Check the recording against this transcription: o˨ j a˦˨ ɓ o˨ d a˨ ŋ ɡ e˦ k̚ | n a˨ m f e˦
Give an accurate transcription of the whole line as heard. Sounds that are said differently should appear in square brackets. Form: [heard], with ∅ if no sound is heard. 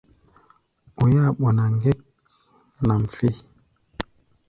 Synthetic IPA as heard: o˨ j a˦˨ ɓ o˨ [n] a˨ ŋ ɡ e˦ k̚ | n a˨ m f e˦